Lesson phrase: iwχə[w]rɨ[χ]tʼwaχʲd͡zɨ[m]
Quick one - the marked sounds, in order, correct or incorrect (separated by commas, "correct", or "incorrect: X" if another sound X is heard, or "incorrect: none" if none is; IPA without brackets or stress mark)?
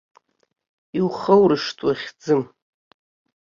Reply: correct, incorrect: ʂ, correct